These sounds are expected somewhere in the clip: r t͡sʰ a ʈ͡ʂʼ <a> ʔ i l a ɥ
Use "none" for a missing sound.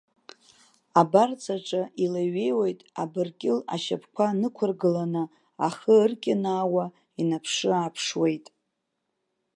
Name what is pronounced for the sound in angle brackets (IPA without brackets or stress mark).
a